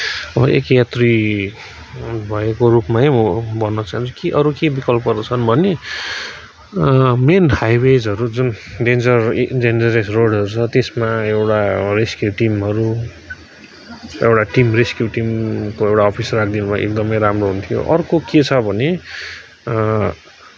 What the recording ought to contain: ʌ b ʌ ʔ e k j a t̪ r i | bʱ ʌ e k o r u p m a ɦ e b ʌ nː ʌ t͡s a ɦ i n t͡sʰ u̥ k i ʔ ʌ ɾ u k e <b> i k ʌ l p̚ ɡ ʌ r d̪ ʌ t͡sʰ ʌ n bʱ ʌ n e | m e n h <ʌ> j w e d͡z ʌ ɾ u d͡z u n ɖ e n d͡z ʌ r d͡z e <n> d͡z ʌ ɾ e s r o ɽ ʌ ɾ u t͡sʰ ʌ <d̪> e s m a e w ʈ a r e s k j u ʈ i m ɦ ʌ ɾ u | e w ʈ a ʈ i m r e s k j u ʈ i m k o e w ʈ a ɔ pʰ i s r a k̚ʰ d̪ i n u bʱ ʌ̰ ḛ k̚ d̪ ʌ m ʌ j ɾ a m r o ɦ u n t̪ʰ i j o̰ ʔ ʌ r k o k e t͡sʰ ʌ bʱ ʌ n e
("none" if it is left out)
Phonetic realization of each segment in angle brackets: b, a, n, t̪

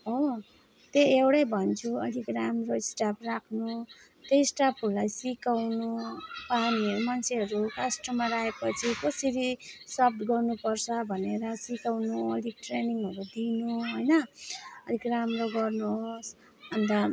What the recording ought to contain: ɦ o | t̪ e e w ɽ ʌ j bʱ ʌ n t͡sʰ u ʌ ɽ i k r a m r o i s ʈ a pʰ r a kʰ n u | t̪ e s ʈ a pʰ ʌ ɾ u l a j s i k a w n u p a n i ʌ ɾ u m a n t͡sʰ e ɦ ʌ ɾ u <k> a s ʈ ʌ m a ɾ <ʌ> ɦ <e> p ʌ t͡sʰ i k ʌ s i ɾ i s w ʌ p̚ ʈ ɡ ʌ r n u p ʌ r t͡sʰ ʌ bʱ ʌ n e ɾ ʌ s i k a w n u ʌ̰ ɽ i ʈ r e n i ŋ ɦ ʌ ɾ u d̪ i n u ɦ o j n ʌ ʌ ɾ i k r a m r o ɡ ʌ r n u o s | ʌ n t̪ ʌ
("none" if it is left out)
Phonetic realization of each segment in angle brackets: k, a, e

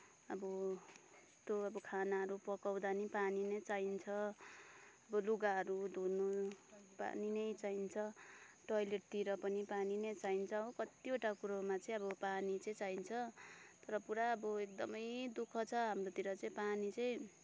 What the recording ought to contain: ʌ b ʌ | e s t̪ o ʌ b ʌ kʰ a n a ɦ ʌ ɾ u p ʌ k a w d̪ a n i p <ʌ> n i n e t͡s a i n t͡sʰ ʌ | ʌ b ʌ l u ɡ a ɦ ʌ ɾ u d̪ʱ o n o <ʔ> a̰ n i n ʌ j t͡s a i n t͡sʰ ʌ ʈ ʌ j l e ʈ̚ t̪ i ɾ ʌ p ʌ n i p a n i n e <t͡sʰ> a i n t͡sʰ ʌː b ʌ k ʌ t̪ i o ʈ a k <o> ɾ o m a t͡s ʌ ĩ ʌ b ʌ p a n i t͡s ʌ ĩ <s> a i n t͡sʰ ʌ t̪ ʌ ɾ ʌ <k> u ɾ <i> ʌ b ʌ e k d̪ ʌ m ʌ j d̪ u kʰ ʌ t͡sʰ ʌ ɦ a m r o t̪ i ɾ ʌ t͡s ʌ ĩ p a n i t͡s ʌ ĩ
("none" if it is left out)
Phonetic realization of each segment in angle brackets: a, p, t͡s, u, t͡s, p, a

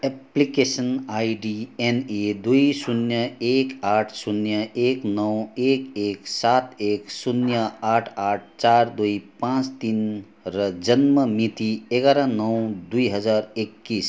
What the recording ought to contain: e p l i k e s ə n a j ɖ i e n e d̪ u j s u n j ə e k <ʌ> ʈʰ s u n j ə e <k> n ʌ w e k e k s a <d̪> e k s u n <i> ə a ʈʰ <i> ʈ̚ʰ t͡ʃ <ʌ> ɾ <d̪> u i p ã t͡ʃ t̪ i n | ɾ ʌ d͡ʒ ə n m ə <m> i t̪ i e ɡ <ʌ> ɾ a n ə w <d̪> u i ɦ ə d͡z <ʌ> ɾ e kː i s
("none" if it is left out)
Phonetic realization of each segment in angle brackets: a, k, t̪, j, a, a, d̪, m, a, d̪, a

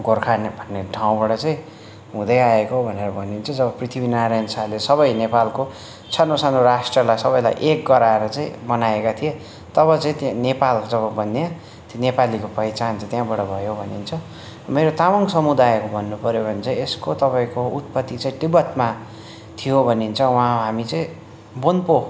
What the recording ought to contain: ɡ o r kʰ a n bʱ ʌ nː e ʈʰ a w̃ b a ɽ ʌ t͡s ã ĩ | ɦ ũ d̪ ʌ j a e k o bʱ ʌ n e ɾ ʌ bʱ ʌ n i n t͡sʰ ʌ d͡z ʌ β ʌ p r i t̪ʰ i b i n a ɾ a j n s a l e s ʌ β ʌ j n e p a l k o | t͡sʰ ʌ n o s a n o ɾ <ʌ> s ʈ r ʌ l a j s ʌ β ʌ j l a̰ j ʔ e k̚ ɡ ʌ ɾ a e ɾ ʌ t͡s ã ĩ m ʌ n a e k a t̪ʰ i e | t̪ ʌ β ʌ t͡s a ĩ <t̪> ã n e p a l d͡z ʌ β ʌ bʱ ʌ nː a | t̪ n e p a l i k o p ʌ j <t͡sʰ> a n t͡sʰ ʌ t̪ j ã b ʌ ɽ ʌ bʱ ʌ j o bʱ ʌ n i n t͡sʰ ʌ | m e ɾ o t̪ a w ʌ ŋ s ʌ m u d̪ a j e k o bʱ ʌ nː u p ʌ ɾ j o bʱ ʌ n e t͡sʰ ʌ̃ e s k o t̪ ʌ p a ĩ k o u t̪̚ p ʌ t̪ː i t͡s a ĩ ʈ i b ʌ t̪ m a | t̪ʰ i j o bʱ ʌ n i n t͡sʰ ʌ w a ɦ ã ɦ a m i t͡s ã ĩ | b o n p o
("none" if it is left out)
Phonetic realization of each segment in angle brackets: a, t̪, t͡s

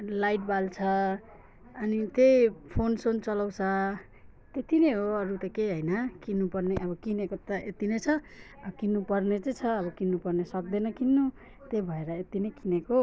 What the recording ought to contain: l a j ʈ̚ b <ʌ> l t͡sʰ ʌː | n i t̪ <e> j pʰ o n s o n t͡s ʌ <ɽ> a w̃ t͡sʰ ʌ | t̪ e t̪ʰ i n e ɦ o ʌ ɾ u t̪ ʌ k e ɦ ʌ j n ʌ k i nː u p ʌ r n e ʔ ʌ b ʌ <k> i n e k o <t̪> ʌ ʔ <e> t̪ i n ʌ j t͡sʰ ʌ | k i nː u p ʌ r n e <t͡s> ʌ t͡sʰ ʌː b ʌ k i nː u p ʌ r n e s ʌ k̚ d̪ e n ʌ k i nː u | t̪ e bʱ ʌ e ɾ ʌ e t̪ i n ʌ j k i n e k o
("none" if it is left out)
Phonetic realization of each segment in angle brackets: a, e, l, k, t̪, e, t͡s

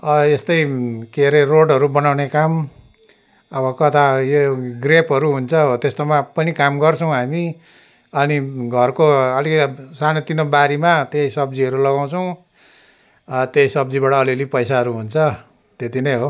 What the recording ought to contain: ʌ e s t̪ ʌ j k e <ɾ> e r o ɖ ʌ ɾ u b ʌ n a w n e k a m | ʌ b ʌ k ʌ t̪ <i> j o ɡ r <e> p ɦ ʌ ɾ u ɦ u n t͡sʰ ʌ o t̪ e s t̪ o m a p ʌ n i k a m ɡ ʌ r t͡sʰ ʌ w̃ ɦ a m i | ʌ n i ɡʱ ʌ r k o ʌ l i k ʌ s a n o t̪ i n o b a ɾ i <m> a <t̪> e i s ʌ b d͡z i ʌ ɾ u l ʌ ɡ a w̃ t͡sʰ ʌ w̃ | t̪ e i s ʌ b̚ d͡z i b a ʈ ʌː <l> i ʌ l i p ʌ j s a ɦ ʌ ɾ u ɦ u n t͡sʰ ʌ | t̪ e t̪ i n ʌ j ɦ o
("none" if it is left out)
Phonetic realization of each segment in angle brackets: ɾ, a, e, m, t̪, l

